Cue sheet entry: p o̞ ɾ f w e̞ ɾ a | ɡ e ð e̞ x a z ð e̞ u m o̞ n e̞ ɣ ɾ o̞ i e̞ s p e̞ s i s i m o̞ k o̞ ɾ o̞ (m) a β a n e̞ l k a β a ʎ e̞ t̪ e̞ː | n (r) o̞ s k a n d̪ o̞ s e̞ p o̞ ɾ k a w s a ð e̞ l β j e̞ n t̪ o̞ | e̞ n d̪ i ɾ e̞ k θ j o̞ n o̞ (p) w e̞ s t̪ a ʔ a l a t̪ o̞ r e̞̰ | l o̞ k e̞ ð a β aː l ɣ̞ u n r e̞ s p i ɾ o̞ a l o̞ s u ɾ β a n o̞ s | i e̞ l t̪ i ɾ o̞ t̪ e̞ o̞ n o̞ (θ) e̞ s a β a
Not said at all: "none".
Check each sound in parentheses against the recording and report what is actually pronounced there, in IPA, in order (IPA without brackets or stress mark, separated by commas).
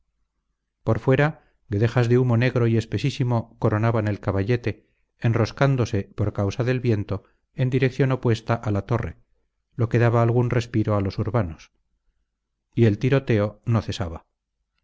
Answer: n, r, p, θ